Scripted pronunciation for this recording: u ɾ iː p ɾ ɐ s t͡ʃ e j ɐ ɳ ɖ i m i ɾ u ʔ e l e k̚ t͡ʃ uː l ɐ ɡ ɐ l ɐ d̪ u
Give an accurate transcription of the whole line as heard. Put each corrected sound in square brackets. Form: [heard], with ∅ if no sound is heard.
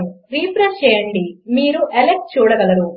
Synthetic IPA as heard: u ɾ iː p ɾ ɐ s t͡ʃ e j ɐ ɳ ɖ i m [iː] ɾ u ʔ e l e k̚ t͡ʃ uː [ɽ] ɐ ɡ ɐ l ɐ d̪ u